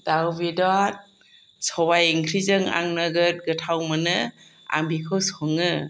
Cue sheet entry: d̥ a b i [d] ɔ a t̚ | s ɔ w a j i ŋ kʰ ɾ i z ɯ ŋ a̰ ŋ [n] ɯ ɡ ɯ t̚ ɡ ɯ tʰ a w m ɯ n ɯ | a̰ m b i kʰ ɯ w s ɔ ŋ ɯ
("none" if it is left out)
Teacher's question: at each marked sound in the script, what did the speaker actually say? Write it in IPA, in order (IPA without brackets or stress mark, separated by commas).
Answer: d, n